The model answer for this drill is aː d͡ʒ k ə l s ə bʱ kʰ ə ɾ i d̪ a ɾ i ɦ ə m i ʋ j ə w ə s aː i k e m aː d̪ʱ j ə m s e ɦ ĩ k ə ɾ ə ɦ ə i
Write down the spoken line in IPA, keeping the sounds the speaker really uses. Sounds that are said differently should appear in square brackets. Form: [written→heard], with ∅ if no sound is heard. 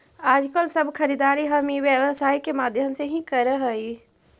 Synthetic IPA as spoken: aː d͡ʒ k ə l s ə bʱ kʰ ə ɾ i d̪ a ɾ i ɦ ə m i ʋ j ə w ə s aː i k e m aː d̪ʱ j ə m s e ɦ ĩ k ə ɾ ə ɦ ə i